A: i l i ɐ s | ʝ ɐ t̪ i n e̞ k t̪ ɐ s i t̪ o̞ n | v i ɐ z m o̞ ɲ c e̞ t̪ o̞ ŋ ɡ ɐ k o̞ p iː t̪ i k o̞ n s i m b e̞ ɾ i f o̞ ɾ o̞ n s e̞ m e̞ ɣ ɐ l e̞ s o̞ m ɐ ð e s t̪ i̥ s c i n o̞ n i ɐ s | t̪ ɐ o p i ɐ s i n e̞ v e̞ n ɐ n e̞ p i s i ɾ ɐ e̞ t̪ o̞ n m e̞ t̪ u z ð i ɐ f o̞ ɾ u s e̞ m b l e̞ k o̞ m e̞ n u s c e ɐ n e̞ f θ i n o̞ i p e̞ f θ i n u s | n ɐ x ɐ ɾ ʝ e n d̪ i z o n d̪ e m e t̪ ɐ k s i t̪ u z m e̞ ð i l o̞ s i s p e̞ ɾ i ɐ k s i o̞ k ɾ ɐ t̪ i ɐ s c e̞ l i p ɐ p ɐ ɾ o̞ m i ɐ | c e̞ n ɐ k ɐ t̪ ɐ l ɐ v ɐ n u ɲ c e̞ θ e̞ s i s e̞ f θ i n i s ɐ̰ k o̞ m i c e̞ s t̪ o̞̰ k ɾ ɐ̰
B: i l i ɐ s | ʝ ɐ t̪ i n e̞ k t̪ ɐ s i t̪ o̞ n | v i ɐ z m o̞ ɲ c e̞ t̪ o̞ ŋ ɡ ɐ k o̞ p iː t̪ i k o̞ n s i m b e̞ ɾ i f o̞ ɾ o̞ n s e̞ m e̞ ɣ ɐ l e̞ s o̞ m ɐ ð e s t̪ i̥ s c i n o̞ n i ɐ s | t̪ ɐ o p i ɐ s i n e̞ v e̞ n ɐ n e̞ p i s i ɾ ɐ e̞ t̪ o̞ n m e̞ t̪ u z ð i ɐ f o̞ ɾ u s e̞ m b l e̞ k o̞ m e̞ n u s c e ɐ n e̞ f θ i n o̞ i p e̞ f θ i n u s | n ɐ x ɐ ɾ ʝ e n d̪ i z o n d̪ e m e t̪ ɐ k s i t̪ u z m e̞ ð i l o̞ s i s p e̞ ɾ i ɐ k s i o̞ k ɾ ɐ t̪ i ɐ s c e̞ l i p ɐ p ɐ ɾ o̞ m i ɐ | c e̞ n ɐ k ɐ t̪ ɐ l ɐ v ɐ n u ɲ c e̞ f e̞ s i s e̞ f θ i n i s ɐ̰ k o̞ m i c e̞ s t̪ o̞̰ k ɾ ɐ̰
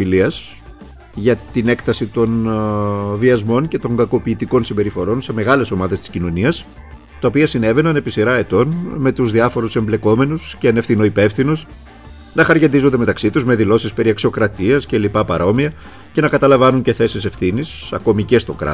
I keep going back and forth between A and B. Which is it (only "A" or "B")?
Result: A